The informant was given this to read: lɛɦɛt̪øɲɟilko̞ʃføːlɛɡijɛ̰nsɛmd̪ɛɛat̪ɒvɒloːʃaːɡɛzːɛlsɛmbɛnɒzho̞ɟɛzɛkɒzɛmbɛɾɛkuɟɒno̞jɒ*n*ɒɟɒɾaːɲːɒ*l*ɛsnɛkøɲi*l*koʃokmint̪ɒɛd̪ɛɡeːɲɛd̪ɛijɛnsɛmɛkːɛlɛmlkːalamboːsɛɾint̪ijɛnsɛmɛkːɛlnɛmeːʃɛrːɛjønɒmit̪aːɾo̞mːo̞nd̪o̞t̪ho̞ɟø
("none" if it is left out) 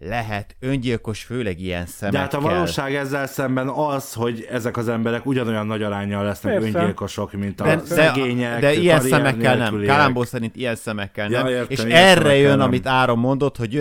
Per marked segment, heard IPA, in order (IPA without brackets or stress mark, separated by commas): nː, lː, l